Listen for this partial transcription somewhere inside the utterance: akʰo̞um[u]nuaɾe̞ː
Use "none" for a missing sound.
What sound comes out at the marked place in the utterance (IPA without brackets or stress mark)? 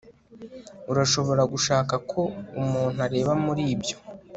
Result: uː